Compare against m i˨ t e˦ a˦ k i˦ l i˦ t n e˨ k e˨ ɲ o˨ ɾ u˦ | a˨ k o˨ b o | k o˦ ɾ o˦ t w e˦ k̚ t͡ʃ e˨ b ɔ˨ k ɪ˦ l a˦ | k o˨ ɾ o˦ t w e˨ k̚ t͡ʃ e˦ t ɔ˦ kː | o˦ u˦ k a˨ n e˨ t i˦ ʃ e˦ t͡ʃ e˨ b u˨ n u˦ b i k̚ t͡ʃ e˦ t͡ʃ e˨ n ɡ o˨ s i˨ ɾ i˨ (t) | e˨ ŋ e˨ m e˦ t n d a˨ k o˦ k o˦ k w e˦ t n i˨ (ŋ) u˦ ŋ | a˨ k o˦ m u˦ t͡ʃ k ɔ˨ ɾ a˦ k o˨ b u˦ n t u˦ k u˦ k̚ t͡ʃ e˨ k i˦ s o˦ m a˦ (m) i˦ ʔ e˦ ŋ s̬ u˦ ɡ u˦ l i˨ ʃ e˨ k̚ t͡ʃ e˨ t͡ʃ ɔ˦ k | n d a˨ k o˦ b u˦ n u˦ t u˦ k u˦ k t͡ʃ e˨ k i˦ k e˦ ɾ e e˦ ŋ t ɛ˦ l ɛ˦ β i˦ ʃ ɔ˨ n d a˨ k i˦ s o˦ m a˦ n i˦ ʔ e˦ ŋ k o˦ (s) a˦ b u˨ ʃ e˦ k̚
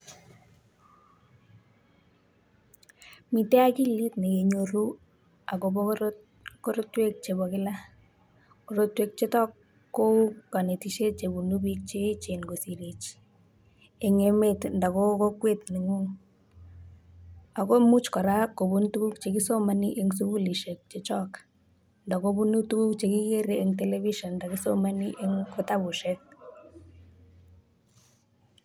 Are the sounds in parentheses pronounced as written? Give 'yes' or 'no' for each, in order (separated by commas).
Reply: no, yes, no, no